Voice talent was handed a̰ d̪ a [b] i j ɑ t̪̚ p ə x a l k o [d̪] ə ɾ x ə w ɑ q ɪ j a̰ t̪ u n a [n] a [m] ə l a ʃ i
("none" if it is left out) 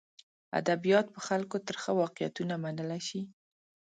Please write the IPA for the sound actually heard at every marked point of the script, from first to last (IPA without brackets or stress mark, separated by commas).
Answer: b, t̪, m, n